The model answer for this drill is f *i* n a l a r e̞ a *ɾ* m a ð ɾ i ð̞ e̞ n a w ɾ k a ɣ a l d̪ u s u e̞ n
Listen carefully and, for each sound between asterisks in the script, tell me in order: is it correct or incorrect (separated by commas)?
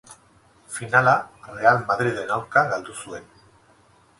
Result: correct, incorrect